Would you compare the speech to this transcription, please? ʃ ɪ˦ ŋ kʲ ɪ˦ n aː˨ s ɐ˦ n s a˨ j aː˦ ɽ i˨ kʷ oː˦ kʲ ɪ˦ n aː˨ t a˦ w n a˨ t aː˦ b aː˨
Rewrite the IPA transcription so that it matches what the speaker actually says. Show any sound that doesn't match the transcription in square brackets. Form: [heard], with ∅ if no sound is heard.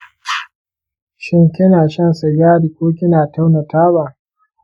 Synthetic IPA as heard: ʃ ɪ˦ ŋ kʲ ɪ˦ n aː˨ [ʃ] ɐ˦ n s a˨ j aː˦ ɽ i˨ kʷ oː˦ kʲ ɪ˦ n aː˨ t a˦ w n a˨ t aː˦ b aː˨